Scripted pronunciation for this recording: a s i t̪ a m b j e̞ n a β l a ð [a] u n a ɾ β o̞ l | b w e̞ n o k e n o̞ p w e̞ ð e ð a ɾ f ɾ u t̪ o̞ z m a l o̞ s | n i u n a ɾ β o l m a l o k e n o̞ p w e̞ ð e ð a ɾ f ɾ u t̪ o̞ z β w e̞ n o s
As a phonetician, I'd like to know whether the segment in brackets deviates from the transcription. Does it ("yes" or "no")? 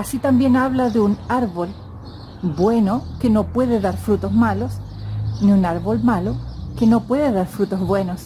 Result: yes